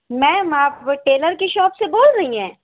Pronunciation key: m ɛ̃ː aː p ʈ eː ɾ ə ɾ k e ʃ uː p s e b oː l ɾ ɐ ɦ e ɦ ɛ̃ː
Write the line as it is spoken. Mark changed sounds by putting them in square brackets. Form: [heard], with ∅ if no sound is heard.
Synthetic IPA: m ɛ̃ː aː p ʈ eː [l] ə ɾ k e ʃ [ɔː] p s e b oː l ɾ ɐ ɦ [i] ɦ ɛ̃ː